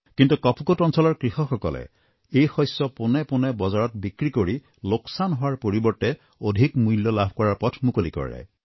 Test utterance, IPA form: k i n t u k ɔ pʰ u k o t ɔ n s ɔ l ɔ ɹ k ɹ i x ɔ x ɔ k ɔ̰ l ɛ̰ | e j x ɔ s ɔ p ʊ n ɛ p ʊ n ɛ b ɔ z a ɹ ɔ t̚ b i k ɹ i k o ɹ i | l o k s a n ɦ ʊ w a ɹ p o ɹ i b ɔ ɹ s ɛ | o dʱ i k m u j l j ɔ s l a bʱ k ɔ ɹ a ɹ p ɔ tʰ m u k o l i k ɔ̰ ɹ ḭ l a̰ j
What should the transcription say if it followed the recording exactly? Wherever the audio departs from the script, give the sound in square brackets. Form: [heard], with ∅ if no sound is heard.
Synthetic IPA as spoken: k i n t u k ɔ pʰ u k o t ɔ n s ɔ l ɔ ɹ k ɹ i x ɔ x ɔ k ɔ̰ l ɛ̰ | e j x ɔ s ɔ p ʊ n ɛ p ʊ n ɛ b ɔ z a ɹ ɔ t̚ b i k ɹ i k o ɹ i | l o k s a n ɦ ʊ w a ɹ p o ɹ i b ɔ ɹ [t] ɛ | o dʱ i k m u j l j ɔ [∅] l a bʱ k ɔ ɹ a ɹ p ɔ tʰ m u k o l i k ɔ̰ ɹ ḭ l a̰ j

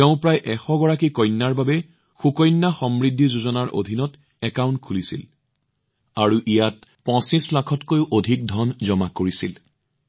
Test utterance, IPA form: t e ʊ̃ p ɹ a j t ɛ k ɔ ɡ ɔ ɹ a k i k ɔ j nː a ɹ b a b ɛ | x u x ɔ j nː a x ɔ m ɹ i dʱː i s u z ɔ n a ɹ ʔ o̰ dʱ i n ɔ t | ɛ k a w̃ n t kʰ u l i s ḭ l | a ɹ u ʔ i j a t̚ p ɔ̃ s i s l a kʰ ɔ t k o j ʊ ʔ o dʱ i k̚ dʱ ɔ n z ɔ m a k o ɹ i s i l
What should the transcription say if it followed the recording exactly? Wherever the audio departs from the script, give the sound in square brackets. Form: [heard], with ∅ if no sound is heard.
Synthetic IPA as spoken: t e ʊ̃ p ɹ a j [ʔ] ɛ [x] ɔ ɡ ɔ ɹ a k i k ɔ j nː a ɹ b a b ɛ | x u [k] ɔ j nː a x ɔ m ɹ i dʱː i [z] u z ɔ n a ɹ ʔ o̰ dʱ i n ɔ t | ɛ k a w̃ n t kʰ u l i s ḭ l | a ɹ u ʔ i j a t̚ p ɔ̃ s i s l a kʰ ɔ t k o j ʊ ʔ o dʱ i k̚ dʱ ɔ n z ɔ m a k o ɹ i s i l

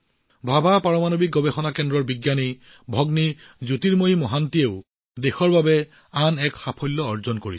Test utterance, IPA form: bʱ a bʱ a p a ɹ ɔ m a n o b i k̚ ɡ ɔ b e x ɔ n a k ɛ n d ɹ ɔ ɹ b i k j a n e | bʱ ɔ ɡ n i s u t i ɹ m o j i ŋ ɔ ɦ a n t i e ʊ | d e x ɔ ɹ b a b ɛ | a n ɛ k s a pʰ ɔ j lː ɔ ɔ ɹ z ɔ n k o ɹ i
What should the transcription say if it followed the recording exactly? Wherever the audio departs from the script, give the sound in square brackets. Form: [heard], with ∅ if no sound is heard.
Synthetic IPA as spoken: bʱ a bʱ a p a ɹ ɔ m a n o b i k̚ ɡ ɔ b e x ɔ n a k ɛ n d ɹ ɔ ɹ b i [ɡ] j a n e | bʱ ɔ ɡ n i [z] u t i ɹ m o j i [m] ɔ ɦ a n t i e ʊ | d e x ɔ ɹ b a b ɛ | a n ɛ k [x] a pʰ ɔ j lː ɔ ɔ ɹ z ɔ n k o ɹ i

